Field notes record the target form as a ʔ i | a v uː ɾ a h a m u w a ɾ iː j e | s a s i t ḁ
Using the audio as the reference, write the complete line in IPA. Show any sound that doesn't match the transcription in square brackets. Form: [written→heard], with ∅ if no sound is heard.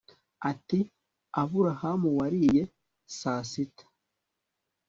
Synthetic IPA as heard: a [ʔ→t] i | a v [uː→u] ɾ a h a m u w a ɾ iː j e | s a s i t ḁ